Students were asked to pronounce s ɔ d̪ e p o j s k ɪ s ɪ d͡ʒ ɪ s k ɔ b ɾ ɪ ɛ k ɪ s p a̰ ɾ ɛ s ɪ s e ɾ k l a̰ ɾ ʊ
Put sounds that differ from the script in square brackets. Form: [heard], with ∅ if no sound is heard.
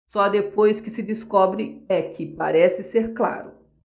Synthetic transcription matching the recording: s ɔ d̪ e p o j s k ɪ s ɪ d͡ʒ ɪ s k ɔ b ɾ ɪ ɛ k ɪ [∅] p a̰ ɾ ɛ s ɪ s e ɾ k l a̰ ɾ ʊ

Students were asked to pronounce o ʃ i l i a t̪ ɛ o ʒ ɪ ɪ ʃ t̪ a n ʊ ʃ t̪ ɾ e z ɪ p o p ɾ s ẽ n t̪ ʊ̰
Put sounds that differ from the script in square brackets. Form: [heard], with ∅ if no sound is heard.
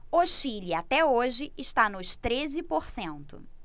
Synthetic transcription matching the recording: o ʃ i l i a t̪ ɛ o ʒ ɪ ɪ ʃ t̪ a n ʊ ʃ t̪ ɾ e z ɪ p o [∅] ɾ s ẽ n t̪ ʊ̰

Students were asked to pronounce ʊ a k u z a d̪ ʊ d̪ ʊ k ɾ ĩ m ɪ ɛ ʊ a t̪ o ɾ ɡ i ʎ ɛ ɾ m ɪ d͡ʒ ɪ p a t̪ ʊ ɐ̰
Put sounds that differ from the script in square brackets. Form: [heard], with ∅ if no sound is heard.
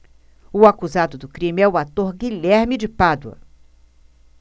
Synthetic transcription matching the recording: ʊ a k u z a d̪ ʊ d̪ ʊ k ɾ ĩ m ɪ ɛ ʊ a t̪ o ɾ ɡ i ʎ ɛ ɾ m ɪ d͡ʒ ɪ p a [d̪] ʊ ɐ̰

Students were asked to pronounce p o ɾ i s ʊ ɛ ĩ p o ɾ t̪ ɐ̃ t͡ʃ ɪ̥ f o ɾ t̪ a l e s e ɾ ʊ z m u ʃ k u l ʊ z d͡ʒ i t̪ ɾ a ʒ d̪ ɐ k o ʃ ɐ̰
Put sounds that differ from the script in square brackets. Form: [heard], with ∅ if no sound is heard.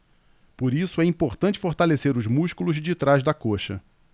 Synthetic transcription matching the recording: p o ɾ i s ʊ ɛ ĩ p o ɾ t̪ ɐ̃ t͡ʃ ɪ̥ f o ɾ t̪ a l e s e ɾ ʊ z m u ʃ k u l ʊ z d͡ʒ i t̪ ɾ a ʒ d̪ ɐ k o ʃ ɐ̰

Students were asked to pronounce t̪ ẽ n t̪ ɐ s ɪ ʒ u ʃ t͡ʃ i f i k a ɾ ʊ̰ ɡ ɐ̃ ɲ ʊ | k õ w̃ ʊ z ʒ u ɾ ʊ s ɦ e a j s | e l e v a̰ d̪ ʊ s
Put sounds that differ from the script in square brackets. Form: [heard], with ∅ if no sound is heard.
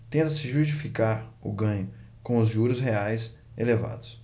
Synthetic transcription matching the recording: t̪ ẽ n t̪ ɐ s ɪ ʒ u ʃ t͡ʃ i f i k a ɾ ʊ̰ ɡ ɐ̃ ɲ ʊ | k õ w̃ ʊ z ʒ u ɾ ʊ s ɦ e a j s | e l e v a̰ d̪ ʊ s

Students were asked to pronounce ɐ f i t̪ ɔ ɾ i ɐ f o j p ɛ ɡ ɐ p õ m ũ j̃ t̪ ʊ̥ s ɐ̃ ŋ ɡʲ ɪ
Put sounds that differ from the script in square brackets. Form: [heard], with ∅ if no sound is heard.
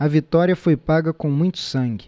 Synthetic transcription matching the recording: ɐ [v] i t̪ ɔ ɾ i ɐ f o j p [a] ɡ ɐ [k] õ m ũ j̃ t̪ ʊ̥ s ɐ̃ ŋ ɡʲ ɪ

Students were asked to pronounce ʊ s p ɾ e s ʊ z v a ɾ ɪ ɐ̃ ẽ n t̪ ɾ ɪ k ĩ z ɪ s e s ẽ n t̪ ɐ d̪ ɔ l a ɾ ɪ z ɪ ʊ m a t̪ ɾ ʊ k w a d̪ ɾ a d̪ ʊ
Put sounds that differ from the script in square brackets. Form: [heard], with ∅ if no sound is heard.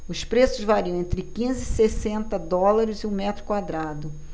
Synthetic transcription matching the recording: ʊ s p ɾ e s ʊ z v a ɾ [i] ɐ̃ ẽ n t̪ ɾ ɪ k ĩ z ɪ s e s ẽ n t̪ ɐ d̪ ɔ l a ɾ ɪ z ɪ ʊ m [ɛ] t̪ ɾ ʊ k w a d̪ ɾ a d̪ ʊ

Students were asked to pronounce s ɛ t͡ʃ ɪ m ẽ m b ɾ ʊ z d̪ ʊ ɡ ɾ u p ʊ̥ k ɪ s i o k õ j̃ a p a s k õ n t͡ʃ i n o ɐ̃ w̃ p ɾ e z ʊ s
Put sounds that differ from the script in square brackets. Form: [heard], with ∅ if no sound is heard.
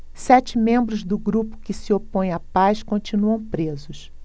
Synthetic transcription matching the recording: s ɛ t͡ʃ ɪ m ẽ m b ɾ ʊ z d̪ ʊ ɡ ɾ u p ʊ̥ k ɪ s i o [p] õ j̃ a p a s k õ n t͡ʃ i n [u] ɐ̃ w̃ p ɾ e z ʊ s

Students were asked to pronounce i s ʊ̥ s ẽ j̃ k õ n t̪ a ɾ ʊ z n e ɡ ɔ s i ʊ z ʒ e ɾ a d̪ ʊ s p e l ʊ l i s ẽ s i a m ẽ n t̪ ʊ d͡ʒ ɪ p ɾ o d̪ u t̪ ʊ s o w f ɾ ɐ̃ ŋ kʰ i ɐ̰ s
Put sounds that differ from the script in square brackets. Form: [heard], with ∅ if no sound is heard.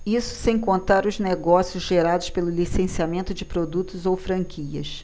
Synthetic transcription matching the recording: i s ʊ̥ s ẽ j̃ k õ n t̪ a ɾ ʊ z n e ɡ ɔ s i ʊ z ʒ e ɾ a d̪ ʊ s p e l ʊ l i s ẽ s i a m ẽ n t̪ ʊ d͡ʒ ɪ p ɾ o d̪ u t̪ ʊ [z] o w f ɾ ɐ̃ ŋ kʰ i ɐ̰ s

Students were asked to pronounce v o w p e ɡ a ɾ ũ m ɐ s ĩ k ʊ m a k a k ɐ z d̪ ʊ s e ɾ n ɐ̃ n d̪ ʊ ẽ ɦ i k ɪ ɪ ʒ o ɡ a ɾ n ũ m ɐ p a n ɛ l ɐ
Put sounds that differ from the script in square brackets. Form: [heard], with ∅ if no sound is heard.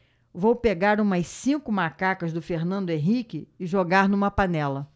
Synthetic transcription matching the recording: v o w p e ɡ a ɾ ũ m ɐ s ĩ k ʊ m a k a k ɐ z d̪ ʊ [f] e ɾ n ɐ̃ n d̪ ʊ ẽ ɦ i k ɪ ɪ ʒ o ɡ a ɾ n ũ m ɐ p a n ɛ l ɐ

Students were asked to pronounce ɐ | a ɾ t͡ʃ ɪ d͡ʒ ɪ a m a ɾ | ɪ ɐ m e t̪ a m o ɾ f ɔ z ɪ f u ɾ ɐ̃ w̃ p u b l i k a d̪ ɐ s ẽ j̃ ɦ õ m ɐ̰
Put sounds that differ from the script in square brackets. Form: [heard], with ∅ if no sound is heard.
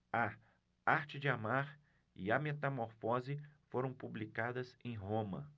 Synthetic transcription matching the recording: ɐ | a ɾ t͡ʃ ɪ d͡ʒ ɪ a m a ɾ | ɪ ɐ m e t̪ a m o ɾ f ɔ z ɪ f [o] ɾ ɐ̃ w̃ p u b l i k a d̪ ɐ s ẽ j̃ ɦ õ m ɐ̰

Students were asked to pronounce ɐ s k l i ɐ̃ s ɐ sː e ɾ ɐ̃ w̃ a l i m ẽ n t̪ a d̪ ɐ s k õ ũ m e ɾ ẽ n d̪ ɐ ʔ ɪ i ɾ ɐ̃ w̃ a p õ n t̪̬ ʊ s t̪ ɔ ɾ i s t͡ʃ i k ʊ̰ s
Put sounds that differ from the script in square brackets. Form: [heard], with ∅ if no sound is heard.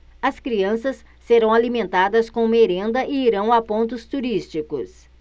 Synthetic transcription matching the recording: ɐ s k [ɾ] i ɐ̃ s ɐ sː e ɾ ɐ̃ w̃ a l i m ẽ n t̪ a d̪ ɐ s k õ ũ m e ɾ ẽ n d̪ ɐ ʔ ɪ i ɾ ɐ̃ w̃ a p õ n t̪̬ ʊ s t̪ [u] ɾ i s t͡ʃ i k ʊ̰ s

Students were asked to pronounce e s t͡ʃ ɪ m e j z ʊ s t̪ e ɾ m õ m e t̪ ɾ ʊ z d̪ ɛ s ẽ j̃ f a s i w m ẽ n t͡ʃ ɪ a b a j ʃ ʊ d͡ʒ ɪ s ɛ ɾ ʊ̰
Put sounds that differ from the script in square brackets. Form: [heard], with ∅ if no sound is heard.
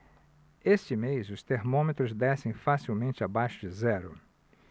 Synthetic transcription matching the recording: e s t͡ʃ ɪ m e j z ʊ s t̪ e ɾ m õ m e t̪ ɾ ʊ z d̪ ɛ s ẽ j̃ f a s i w m ẽ n t͡ʃ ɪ a b a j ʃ ʊ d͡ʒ ɪ [z] ɛ ɾ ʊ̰

